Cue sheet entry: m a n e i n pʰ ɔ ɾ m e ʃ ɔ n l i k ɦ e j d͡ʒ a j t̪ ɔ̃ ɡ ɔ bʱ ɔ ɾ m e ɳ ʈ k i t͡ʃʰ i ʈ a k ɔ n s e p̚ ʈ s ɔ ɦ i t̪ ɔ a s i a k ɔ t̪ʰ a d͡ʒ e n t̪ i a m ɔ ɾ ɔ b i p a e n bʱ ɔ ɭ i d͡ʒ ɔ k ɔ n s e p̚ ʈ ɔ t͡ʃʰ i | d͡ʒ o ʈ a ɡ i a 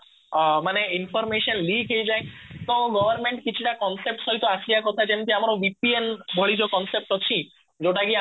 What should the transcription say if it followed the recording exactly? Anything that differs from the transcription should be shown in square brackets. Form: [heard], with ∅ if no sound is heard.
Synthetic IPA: m a n e i n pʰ ɔ ɾ m e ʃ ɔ n l i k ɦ e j d͡ʒ a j t̪ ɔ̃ ɡ ɔ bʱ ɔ ɾ m e ɳ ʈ k i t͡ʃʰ i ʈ a k ɔ n s e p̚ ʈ s ɔ ɦ i t̪ ɔ a s i a k ɔ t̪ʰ a d͡ʒ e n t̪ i a m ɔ ɾ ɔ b i p [i] e n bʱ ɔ ɭ i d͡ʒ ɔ k ɔ n s e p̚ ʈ ɔ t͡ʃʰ i | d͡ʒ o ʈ a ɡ i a

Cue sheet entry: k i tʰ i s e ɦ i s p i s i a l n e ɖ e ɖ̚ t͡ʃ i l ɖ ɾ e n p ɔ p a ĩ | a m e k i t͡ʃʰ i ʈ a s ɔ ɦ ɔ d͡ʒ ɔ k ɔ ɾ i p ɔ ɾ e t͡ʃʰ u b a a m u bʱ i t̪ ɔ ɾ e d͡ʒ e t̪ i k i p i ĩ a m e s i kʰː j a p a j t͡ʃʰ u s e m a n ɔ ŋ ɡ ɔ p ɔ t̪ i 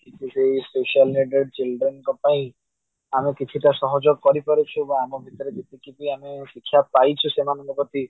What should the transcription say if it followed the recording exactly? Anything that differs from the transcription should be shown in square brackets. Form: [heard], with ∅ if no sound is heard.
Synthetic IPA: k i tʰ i s e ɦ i s p [e] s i a l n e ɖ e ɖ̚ t͡ʃ i l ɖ ɾ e n [k] ɔ p a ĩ | a m e k i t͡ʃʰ i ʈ a s ɔ ɦ ɔ d͡ʒ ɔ k ɔ ɾ i p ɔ ɾ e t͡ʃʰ u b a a m [ɔ] bʱ i t̪ ɔ ɾ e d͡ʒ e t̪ i k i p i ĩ a m e s i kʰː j a p a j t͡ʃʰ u s e m a n ɔ ŋ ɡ ɔ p ɔ t̪ i

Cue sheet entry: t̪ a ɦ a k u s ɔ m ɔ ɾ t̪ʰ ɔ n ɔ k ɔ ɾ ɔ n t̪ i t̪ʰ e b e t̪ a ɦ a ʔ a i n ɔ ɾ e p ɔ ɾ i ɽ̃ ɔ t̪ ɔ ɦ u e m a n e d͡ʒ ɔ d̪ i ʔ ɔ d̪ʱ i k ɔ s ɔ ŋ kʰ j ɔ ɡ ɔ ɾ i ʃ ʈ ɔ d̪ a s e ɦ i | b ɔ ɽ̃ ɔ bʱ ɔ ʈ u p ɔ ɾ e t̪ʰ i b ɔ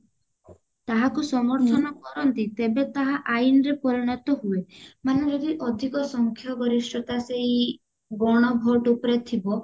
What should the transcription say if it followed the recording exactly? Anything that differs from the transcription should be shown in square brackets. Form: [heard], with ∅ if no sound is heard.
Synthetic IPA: t̪ a ɦ a k u s ɔ m ɔ ɾ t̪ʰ ɔ n ɔ k ɔ ɾ ɔ n t̪ i [t̪] e b e t̪ a ɦ a ʔ a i n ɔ ɾ e p ɔ ɾ i ɽ̃ ɔ t̪ ɔ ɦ u e m a n e d͡ʒ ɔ d̪ i ʔ ɔ d̪ʱ i k ɔ s ɔ ŋ kʰ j ɔ ɡ ɔ ɾ i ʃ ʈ ɔ [t̪] a s e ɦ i | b ɔ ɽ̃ ɔ bʱ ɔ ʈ u p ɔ ɾ e t̪ʰ i b ɔ

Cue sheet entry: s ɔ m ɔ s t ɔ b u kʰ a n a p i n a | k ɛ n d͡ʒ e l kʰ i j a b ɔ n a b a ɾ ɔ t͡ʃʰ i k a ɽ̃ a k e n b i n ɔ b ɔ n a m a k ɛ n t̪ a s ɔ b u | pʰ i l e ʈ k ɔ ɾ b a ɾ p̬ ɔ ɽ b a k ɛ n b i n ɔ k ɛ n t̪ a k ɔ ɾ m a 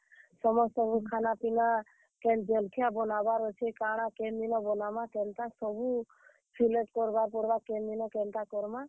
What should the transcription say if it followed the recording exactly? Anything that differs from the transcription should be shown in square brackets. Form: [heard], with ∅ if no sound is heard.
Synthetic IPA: s ɔ m ɔ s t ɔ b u kʰ a n a p i n a | k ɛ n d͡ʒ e l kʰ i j a b ɔ n a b a ɾ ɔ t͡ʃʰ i k a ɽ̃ a k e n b i n ɔ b ɔ n a m a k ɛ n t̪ a s ɔ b u | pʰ i l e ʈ k ɔ ɾ b a ɾ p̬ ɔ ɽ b a k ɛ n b i n ɔ k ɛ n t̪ a k ɔ ɾ m a

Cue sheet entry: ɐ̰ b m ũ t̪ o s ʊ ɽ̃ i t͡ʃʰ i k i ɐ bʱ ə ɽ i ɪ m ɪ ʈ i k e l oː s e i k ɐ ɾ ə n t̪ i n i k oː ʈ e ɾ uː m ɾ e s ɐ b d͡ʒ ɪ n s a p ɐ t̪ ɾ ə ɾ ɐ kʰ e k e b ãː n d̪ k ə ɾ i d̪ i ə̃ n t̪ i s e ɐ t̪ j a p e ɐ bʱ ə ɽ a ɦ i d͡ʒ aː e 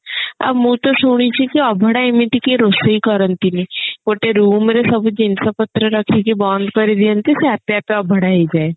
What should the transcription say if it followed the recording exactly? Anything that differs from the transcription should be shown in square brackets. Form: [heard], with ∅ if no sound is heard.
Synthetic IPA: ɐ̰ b m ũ t̪ o s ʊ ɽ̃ i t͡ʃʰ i k i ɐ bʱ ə ɽ [a] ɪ m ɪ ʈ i k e [ɾ] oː s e i k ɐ ɾ ə n t̪ i n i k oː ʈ e ɾ uː m ɾ e s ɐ b d͡ʒ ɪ n s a p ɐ t̪ ɾ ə ɾ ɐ kʰ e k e b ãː n d̪ k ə ɾ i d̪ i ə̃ n t̪ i s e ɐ t̪ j a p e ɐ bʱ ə ɽ a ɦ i d͡ʒ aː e

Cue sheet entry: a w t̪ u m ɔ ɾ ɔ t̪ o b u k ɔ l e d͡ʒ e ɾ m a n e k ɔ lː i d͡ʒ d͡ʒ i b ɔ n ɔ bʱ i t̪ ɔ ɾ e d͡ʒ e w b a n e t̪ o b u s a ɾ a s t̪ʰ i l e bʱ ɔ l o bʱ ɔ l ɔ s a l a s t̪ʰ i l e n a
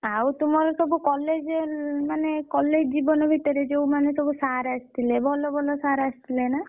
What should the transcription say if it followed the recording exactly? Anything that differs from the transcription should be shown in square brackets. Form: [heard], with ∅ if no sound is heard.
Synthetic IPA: a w t̪ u m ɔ ɾ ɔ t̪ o b u k ɔ l e d͡ʒ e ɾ m a n e k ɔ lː [e] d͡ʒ d͡ʒ i b ɔ n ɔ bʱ i t̪ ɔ ɾ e d͡ʒ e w [m] a n e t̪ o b u s a ɾ a s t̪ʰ i l e bʱ ɔ l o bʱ ɔ l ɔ s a [ɾ] a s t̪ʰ i l e n a

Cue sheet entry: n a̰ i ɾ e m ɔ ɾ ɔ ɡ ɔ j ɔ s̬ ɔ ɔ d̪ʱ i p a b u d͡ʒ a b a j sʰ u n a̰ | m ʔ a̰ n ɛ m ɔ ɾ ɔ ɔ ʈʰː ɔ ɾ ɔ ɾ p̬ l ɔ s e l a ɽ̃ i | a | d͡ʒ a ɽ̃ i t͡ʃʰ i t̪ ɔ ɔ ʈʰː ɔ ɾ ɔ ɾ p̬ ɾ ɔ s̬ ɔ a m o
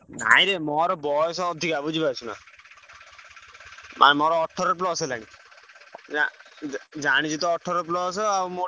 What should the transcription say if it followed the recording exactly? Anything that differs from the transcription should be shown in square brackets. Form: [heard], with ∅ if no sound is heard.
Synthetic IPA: n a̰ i ɾ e m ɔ ɾ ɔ [b] ɔ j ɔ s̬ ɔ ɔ d̪ʱ i [k] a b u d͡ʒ [i] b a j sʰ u n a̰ | m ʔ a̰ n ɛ m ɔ ɾ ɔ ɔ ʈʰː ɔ ɾ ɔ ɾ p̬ l ɔ s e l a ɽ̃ i | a | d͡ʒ a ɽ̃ i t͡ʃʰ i t̪ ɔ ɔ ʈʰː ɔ ɾ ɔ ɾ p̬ [l] ɔ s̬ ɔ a m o

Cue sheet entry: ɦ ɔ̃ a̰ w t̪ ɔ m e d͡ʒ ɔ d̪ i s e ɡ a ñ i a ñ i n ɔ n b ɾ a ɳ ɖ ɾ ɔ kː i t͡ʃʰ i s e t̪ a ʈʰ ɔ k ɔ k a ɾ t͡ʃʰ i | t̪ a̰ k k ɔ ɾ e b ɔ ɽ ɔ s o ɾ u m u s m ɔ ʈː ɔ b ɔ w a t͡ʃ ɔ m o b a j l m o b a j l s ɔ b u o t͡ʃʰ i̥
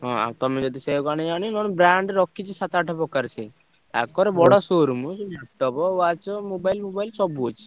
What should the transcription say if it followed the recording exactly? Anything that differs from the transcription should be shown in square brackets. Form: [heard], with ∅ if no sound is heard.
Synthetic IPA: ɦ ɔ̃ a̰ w t̪ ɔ m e d͡ʒ ɔ d̪ i s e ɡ a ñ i a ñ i n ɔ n b ɾ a ɳ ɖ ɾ ɔ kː i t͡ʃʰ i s [a] t̪ a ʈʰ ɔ [p] ɔ k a ɾ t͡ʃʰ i | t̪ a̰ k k ɔ ɾ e b ɔ ɽ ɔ s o ɾ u m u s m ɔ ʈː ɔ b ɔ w a t͡ʃ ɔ m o b a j l m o b a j l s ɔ b u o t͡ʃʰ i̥

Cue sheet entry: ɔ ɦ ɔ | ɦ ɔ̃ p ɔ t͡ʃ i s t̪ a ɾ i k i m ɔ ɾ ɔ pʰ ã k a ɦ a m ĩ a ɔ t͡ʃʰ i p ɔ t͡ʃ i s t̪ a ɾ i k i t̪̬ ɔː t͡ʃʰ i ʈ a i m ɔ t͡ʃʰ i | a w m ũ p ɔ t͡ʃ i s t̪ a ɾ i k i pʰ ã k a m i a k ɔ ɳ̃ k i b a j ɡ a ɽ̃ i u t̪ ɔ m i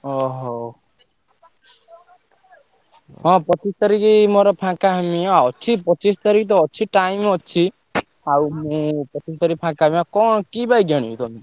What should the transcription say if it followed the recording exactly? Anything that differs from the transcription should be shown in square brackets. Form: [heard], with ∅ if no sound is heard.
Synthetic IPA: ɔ ɦ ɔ | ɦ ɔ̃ p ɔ t͡ʃ i s t̪ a ɾ i k i m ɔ ɾ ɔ pʰ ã k a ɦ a m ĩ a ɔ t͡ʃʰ i p ɔ t͡ʃ i s t̪ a ɾ i k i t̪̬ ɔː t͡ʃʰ i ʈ a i m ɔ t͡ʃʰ i | a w m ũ p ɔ t͡ʃ i s t̪ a ɾ i k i pʰ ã k a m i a k ɔ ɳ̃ k i b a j ɡ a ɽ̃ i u t̪ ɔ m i

